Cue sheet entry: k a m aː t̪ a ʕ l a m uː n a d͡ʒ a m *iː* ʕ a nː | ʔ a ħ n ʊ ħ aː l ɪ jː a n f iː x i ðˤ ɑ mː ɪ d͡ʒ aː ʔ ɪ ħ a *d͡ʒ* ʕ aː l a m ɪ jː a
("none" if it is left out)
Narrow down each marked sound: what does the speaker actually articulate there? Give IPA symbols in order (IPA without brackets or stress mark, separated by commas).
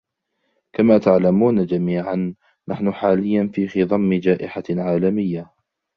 iː, none